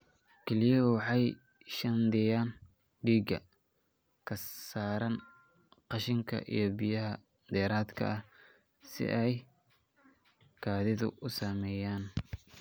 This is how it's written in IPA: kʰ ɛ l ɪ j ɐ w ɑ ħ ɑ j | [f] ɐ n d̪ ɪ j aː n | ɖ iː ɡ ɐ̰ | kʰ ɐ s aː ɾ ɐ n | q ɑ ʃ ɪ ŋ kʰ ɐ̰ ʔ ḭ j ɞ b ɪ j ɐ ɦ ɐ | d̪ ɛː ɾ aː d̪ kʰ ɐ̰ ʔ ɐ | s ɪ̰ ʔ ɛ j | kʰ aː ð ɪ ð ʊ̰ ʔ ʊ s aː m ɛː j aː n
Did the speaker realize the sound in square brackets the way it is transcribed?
no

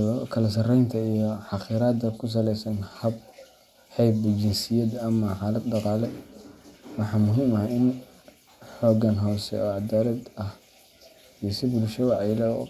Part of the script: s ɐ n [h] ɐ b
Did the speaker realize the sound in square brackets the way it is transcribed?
yes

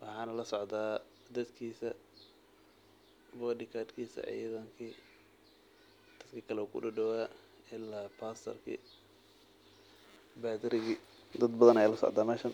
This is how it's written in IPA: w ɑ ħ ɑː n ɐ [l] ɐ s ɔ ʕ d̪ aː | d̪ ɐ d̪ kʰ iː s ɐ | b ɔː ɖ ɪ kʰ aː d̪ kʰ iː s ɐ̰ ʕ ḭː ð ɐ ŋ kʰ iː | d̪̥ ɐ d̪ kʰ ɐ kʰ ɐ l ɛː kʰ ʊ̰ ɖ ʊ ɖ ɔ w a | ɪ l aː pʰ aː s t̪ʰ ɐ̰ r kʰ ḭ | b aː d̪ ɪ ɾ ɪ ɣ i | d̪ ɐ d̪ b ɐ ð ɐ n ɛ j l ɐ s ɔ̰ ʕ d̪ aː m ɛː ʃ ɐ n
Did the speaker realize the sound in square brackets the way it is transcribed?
yes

